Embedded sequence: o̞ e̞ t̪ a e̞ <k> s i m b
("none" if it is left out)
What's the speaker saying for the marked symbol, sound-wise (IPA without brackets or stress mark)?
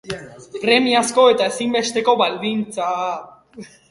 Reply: none